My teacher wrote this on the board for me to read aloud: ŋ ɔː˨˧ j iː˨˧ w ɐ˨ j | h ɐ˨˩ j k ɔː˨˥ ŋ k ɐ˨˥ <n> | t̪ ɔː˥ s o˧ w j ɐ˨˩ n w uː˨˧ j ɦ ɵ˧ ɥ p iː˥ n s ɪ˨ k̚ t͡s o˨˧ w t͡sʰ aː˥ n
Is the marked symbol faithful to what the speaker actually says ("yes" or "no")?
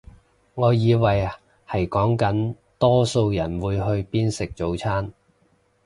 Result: yes